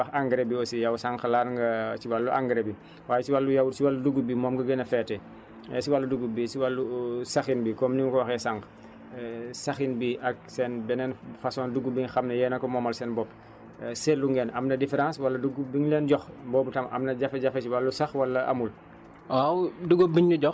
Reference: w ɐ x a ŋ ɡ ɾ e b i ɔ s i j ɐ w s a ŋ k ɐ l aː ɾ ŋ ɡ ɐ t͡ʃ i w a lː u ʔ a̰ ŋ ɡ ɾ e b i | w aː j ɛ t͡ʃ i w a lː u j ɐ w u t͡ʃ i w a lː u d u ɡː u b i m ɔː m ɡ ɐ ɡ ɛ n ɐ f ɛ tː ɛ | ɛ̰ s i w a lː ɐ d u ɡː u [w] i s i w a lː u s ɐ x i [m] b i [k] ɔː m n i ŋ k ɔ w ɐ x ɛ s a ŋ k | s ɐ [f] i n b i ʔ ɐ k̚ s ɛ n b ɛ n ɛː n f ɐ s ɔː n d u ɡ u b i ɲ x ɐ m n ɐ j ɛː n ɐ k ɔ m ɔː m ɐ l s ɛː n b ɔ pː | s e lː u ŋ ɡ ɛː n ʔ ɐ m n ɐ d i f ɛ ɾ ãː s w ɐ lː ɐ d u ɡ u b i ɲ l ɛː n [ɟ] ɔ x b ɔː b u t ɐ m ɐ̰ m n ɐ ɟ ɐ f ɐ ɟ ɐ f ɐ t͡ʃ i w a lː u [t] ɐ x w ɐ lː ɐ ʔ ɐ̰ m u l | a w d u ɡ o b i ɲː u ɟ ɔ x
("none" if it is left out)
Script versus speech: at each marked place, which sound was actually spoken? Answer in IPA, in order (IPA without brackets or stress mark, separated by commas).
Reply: b, n, k, x, ɟ, s